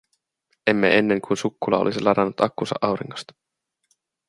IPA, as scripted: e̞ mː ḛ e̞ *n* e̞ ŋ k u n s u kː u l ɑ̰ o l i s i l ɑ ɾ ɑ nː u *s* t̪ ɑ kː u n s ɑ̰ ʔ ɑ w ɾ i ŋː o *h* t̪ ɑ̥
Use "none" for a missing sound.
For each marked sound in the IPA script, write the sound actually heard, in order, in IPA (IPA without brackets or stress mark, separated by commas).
nː, none, s